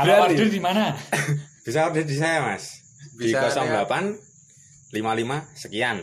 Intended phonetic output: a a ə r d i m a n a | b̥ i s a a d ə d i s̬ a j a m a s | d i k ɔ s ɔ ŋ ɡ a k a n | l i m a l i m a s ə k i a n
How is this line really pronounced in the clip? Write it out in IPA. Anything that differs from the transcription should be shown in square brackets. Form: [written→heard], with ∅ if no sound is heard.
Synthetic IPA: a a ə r d i m a n a | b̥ i s a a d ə d i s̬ a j a m a s | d i k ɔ s ɔ ŋ [ɡ→b] a [k→p] a n | l i m a l i m a s ə k i a n